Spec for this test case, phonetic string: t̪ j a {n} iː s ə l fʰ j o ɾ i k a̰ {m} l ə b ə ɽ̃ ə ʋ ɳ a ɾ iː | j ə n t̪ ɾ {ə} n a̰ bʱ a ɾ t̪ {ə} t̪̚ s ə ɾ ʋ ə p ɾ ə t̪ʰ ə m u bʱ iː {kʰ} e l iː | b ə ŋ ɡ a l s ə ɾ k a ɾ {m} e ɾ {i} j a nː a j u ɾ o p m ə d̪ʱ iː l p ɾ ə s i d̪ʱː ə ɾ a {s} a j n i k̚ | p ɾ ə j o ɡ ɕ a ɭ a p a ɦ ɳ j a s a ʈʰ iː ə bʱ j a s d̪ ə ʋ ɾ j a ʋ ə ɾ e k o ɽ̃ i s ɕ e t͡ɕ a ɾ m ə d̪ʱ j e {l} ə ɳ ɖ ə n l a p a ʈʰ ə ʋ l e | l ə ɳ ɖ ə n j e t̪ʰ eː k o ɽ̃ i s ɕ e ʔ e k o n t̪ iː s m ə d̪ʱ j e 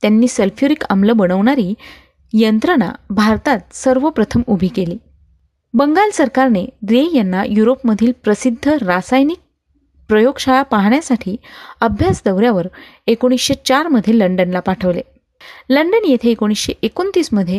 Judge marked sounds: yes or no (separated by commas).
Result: no, yes, yes, no, no, no, no, yes, yes